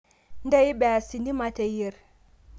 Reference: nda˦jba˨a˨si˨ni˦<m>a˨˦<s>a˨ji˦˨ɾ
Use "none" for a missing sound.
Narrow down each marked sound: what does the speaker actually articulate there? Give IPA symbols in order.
m, t

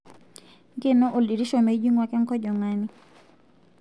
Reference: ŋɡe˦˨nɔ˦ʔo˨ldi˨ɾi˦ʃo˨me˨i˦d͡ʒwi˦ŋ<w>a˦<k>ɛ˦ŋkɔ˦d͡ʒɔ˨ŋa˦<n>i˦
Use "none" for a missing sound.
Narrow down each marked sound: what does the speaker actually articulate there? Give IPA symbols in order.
w, k, n

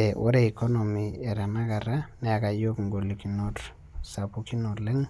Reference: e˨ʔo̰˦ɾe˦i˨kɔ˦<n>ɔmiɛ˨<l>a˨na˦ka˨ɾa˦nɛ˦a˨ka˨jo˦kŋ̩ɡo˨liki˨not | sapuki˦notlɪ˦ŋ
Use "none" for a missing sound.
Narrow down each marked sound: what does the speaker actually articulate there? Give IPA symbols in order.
n, ɾ

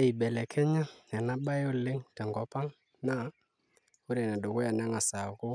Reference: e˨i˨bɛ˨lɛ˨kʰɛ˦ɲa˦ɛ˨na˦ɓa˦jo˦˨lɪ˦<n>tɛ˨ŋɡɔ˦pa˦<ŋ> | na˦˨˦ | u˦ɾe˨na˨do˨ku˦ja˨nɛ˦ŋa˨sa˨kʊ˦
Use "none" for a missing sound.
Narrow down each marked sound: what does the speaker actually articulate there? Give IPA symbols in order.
ŋ, ŋ

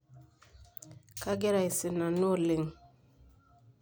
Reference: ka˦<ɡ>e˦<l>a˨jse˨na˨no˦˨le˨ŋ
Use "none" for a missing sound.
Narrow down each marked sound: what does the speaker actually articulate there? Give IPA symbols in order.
ɡ, ɾ

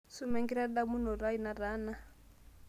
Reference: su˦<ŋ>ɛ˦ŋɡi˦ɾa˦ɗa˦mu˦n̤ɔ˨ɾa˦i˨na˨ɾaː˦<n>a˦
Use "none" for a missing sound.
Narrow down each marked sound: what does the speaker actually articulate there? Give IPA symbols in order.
m, n

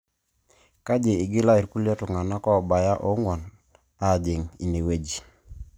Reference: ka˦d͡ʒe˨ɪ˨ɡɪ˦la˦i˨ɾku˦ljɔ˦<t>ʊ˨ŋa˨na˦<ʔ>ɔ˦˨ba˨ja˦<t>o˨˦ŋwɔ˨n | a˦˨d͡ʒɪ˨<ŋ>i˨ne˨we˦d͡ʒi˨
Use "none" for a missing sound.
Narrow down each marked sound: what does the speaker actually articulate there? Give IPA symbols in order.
t, k, ʔ, ŋ

